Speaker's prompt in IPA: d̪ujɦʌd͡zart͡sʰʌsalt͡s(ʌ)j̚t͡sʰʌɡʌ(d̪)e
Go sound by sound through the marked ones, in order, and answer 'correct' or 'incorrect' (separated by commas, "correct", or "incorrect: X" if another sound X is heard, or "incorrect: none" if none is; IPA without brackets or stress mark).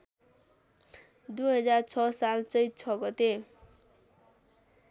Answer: correct, incorrect: t̪